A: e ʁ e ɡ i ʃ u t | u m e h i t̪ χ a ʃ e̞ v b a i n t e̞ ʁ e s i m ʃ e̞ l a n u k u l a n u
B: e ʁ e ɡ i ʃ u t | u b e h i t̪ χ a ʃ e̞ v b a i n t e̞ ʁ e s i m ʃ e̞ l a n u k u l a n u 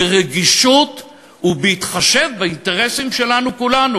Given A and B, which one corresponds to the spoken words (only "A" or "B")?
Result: B